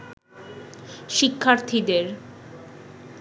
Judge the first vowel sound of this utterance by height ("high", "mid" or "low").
high